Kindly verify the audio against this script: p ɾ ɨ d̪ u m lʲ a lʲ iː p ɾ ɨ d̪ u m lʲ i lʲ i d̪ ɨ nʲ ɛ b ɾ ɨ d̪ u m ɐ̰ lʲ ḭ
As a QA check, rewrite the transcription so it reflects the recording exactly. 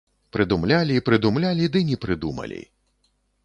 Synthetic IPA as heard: p ɾ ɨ d̪ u m lʲ a lʲ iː p ɾ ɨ d̪ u m lʲ a lʲ i d̪ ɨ nʲ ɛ p ɾ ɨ d̪ u m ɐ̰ lʲ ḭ

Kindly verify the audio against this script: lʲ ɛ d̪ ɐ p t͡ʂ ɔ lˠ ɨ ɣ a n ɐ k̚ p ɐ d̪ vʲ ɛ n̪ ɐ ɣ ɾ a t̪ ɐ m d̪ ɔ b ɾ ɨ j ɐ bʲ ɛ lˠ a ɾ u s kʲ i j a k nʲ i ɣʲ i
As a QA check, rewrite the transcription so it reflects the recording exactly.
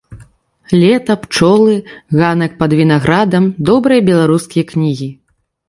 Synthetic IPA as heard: lʲ ɛ t̪ ɐ p t͡ʂ ɔ lˠ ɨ ɣ a n ɐ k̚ p ɐ d̪ vʲ i n̪ a ɣ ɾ a d̪ ɐ m d̪ ɔ b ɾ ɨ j ɐ bʲ ɛ lˠ a ɾ u s kʲ i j ɐ k nʲ i ɣʲ i

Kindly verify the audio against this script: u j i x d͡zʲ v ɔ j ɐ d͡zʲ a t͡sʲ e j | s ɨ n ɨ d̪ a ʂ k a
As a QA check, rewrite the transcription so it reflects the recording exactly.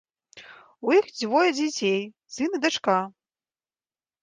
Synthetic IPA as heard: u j i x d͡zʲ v ɔ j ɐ d͡zʲ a t͡sʲ e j | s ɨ n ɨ d̪ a t͡ʂ k a

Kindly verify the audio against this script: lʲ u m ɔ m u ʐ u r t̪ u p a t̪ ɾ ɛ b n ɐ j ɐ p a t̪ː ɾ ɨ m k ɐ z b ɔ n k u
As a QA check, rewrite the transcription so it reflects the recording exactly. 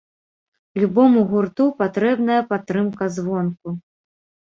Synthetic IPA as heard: lʲ u b ɔ m u ɣ u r t̪ u p a t̪ ɾ ɛ b n ɐ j ɐ p a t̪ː ɾ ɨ m k ɐ z v ɔ n k u

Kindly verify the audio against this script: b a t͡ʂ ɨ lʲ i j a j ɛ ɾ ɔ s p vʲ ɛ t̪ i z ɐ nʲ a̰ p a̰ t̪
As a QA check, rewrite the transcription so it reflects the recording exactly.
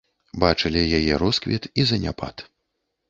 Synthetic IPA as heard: b a t͡ʂ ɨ lʲ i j a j ɛ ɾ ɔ s k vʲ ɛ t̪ i z ɐ nʲ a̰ p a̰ t̪

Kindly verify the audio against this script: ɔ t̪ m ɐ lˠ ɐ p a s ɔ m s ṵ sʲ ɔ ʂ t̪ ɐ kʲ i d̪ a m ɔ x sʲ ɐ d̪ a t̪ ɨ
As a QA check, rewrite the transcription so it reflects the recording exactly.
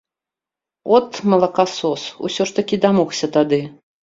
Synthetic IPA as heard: ɔ t̪ m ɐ lˠ ɐ k a s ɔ s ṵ sʲ ɔ ʂ t̪ ɐ kʲ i d̪ a m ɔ x sʲ ɐ t̪ a d̪ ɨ

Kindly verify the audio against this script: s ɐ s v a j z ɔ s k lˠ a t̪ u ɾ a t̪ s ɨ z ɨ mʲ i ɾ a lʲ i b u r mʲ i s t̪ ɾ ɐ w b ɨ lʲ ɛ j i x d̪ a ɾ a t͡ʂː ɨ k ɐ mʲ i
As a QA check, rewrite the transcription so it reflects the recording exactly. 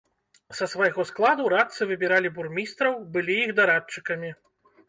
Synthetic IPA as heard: s ɐ s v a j ɣ ɔ s k lˠ a d̪ u ɾ a t̪ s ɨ v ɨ bʲ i ɾ a lʲ i b u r mʲ i s t̪ ɾ ɐ w b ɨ lʲ i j i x d̪ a ɾ a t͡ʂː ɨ k ɐ mʲ i

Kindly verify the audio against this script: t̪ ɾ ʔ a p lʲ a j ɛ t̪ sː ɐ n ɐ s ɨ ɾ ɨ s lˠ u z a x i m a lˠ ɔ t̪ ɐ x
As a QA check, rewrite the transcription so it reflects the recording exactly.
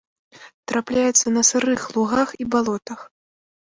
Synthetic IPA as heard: t̪ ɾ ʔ a p lʲ a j ɛ t̪ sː ɐ n ɐ s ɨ ɾ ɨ x lˠ u ɣ a x i b a lˠ ɔ t̪ ɐ x

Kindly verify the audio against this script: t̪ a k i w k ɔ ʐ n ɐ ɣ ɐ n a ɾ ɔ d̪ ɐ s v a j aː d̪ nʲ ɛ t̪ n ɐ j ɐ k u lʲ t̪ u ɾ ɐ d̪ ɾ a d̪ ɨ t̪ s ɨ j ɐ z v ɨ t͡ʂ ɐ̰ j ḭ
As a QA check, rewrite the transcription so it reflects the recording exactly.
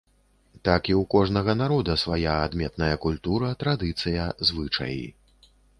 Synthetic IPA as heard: t̪ a k i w k ɔ ʐ n ɐ ɣ ɐ n a ɾ ɔ d̪ ɐ s v a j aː d̪ mʲ ɛ t̪ n ɐ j ɐ k u lʲ t̪ u ɾ ɐ t̪ ɾ a d̪ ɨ t̪ s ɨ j ɐ z v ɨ t͡ʂ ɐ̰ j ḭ

